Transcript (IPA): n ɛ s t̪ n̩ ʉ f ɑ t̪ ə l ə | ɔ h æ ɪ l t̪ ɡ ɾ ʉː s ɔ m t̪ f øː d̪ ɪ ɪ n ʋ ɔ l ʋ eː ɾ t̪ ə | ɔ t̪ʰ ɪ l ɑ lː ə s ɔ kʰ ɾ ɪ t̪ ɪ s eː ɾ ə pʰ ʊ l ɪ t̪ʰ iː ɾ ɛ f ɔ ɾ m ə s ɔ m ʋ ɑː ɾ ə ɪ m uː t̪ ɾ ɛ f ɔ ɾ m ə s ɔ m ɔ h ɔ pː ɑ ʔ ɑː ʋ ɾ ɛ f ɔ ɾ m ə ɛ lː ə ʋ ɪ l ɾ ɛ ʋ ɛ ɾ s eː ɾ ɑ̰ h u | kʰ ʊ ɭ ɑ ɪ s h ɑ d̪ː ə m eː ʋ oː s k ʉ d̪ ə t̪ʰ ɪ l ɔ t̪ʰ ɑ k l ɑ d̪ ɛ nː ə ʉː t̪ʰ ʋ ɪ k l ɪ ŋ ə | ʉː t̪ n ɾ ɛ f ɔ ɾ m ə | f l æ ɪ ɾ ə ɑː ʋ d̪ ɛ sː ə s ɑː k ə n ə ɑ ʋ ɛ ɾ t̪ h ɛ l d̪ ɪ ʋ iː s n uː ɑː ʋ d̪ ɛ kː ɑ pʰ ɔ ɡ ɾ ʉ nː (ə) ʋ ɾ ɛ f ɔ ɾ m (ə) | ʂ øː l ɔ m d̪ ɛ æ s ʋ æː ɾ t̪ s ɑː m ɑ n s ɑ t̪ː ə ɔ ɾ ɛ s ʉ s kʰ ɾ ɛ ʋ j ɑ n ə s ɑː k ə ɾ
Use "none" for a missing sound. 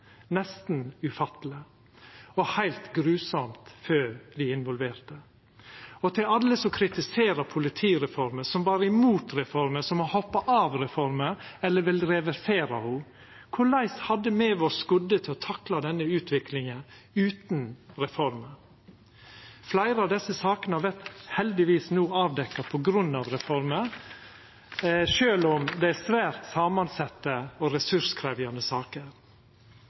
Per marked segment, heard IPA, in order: ɑ, ə

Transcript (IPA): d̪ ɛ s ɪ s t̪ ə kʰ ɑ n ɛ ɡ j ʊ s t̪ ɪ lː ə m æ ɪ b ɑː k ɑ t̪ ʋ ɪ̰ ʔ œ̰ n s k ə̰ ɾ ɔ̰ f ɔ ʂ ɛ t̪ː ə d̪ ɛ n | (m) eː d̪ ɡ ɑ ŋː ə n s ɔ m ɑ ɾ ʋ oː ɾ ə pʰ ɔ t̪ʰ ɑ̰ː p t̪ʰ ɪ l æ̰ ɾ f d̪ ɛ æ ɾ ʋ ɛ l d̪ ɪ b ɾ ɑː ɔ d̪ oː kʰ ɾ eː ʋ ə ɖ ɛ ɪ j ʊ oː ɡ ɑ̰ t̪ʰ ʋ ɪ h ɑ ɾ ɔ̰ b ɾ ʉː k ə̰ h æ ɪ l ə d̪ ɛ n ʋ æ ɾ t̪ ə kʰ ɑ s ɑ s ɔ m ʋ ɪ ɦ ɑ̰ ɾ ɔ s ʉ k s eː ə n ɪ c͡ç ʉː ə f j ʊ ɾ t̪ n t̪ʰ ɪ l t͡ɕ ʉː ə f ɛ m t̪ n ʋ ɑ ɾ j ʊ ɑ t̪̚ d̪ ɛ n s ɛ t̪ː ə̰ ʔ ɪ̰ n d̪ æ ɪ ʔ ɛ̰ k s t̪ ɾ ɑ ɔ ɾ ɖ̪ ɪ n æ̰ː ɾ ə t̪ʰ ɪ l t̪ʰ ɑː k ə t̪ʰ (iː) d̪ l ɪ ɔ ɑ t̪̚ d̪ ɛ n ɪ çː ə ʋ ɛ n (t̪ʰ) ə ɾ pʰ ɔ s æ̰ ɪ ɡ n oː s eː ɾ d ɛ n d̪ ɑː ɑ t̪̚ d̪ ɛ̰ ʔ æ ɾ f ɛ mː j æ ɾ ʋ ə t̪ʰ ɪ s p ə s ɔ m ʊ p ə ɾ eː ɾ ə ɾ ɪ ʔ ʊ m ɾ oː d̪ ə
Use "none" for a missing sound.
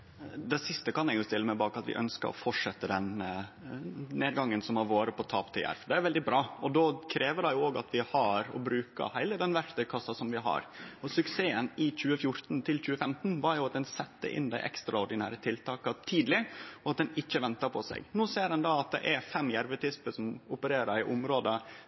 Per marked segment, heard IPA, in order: n, iː, t̪

